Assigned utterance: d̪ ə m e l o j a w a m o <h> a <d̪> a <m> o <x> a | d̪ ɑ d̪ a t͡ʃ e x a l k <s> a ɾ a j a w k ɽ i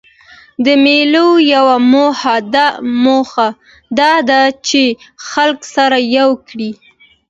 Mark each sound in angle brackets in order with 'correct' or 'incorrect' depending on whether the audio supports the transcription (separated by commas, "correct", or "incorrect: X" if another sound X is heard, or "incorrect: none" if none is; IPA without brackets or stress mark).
correct, correct, correct, correct, correct